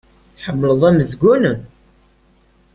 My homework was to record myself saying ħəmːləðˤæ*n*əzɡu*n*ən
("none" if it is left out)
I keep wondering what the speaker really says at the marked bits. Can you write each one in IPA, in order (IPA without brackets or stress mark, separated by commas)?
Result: m, n